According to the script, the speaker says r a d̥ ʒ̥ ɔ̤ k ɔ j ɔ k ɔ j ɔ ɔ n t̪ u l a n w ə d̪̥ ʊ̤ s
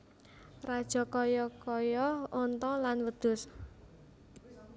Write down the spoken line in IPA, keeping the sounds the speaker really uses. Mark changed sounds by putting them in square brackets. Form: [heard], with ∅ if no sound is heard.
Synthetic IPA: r a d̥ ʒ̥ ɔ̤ k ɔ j ɔ k ɔ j ɔ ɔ n t̪ [ɔ] l a n w ə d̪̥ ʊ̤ s